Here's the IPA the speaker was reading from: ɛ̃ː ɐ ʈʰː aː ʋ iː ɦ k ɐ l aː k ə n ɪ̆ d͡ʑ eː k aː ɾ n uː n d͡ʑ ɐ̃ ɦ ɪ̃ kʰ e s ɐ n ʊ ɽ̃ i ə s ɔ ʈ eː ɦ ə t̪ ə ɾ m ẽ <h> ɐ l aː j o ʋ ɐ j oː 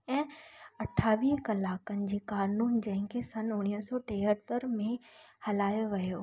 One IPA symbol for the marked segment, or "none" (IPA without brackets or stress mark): h